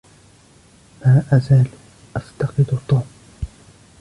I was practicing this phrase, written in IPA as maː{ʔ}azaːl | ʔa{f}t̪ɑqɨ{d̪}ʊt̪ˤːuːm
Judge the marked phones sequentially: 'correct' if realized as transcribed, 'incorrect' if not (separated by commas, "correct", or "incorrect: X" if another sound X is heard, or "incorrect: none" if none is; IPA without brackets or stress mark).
correct, correct, correct